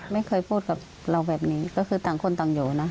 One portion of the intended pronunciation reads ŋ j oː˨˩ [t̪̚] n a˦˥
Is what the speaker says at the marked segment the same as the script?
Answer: no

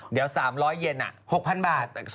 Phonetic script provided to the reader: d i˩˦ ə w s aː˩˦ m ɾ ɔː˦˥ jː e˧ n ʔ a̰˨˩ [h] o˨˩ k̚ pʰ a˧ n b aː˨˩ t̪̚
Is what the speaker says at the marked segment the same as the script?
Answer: yes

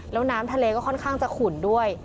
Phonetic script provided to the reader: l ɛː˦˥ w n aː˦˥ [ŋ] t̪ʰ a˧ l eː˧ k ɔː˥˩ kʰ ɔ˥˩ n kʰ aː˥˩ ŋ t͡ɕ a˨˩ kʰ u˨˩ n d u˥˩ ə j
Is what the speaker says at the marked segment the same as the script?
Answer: no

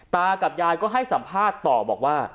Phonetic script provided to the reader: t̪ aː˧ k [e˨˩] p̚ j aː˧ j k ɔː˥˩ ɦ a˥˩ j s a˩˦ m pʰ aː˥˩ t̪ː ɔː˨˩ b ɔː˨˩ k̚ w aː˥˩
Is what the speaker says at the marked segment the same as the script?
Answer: no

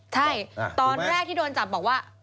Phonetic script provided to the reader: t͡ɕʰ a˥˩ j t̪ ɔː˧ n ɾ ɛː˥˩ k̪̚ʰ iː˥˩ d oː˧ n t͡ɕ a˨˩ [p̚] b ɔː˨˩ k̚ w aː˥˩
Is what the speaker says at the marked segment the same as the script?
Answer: yes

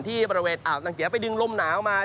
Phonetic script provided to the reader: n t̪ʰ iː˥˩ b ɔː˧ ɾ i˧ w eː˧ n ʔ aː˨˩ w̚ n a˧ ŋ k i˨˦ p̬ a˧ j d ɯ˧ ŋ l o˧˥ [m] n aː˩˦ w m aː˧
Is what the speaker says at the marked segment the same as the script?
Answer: yes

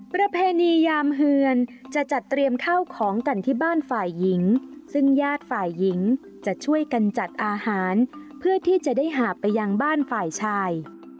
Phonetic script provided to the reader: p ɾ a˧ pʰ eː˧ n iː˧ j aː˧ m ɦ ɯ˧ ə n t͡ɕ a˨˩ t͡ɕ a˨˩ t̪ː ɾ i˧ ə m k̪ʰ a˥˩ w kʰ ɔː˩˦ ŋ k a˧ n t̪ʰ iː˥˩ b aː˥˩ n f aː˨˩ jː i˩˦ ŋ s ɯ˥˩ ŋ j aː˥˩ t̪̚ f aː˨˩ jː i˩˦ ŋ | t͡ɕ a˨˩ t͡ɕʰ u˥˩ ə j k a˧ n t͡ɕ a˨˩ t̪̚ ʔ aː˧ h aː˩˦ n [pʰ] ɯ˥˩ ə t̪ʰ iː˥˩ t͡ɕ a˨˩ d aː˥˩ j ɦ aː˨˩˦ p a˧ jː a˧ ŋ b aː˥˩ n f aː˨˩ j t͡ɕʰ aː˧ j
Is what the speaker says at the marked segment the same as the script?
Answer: yes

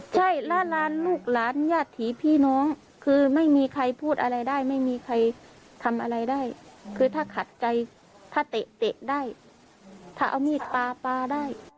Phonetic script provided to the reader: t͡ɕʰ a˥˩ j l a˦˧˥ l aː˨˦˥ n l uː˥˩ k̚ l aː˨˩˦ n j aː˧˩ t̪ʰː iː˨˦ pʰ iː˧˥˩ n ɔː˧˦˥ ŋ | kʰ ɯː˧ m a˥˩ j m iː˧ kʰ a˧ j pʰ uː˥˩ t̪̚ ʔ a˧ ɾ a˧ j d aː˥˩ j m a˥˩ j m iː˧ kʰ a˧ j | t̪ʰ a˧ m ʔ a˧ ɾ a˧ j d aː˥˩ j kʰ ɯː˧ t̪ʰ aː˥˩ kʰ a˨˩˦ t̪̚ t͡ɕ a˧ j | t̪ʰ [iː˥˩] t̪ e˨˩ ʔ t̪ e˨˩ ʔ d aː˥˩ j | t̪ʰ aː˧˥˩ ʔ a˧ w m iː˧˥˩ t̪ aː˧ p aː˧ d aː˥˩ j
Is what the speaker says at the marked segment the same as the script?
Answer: no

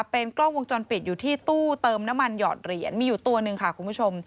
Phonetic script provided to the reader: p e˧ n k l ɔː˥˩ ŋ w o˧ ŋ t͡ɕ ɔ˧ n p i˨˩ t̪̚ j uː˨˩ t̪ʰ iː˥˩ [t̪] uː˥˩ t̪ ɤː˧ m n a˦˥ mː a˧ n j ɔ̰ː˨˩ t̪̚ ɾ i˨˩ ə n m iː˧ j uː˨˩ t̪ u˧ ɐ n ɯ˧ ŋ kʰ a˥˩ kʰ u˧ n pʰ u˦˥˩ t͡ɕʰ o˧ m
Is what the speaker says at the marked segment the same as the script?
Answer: yes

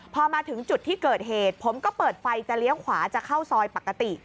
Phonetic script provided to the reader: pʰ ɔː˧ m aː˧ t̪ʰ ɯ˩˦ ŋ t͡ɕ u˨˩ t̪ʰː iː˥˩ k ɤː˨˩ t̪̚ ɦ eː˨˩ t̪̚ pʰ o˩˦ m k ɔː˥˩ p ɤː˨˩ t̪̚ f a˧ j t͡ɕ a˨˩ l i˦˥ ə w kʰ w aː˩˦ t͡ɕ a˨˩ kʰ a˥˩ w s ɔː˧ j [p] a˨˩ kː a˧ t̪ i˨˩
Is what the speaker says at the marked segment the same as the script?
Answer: yes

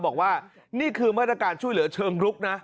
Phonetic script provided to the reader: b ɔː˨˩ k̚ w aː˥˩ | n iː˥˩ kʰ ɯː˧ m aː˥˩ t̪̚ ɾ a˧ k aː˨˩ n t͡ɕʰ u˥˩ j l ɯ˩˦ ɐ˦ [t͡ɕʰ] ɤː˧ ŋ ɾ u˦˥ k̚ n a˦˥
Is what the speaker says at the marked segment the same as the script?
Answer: yes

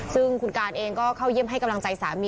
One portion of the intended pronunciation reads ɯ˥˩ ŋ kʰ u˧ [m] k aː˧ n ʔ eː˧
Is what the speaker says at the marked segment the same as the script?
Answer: no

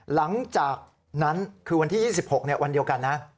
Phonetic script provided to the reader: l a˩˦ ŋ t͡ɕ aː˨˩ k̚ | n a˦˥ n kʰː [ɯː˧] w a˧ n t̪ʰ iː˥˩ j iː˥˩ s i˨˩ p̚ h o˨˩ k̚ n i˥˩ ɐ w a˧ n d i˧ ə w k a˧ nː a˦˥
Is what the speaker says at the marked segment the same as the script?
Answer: yes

